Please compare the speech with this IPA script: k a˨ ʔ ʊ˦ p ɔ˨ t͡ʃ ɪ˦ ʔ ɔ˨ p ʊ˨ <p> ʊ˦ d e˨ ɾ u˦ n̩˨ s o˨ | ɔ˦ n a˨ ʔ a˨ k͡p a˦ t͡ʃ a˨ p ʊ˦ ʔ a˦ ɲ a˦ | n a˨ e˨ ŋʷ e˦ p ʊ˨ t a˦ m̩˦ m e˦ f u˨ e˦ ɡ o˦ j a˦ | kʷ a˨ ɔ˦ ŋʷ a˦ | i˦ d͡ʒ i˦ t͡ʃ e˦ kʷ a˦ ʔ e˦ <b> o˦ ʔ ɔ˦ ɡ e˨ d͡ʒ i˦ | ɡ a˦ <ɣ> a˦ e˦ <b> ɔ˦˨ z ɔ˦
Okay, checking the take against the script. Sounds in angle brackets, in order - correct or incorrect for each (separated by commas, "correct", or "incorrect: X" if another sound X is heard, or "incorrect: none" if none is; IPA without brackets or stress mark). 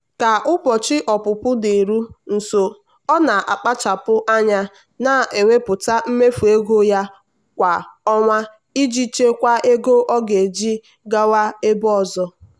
correct, incorrect: ɡ, incorrect: w, correct